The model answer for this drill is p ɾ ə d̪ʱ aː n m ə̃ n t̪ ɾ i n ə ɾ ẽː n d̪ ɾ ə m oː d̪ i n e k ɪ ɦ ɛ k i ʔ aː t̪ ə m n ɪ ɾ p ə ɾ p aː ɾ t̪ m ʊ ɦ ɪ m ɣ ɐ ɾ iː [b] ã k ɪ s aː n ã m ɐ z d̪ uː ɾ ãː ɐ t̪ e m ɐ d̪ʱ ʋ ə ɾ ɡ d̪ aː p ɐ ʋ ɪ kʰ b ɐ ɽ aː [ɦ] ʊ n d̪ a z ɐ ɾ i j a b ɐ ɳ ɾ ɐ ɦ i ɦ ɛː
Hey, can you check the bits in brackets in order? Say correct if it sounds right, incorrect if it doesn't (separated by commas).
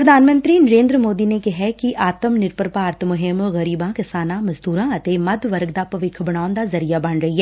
correct, incorrect